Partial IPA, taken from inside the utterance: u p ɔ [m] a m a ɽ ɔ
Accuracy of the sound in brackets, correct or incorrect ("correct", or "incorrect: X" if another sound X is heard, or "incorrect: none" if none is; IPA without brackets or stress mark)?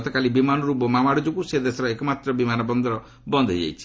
correct